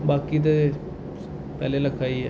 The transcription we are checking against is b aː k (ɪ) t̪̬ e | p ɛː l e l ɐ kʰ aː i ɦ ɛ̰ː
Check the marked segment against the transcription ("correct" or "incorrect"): incorrect